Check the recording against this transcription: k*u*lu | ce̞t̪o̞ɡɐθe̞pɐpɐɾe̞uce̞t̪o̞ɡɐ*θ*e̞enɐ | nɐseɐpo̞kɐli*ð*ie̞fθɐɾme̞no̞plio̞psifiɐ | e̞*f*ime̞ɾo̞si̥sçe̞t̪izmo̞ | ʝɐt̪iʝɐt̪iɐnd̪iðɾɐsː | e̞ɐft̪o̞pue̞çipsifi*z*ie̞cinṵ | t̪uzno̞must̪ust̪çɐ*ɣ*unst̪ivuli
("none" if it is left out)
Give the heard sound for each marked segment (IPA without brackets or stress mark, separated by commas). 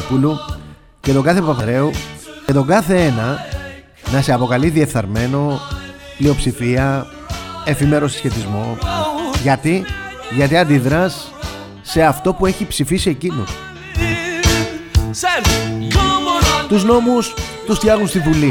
u, θ, ð, f, s, ɣ